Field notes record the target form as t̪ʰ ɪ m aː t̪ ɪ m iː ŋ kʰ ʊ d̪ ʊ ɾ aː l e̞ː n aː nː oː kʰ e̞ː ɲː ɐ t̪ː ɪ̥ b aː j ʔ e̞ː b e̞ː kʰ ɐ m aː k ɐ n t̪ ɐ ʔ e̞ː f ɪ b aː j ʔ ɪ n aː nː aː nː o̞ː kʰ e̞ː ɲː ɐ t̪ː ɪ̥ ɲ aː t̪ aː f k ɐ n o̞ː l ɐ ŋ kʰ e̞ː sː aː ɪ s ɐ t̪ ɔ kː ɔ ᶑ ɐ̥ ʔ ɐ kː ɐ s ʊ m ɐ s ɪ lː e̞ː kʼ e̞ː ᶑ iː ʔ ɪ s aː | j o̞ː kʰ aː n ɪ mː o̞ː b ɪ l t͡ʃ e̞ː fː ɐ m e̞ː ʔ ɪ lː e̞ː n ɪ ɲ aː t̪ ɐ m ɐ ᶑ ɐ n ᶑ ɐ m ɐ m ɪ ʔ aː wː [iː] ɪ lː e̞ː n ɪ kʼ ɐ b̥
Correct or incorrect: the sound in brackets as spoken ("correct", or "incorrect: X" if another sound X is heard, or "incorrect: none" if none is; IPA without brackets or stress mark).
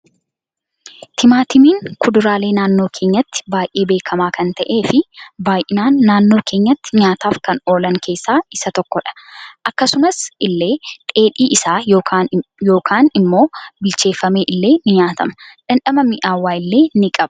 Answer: incorrect: aː